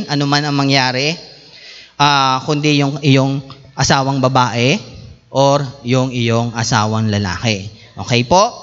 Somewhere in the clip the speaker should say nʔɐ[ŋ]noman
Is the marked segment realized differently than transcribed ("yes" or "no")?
yes